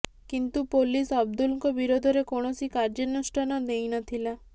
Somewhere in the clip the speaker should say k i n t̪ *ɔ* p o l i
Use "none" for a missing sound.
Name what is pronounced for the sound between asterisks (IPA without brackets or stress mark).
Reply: u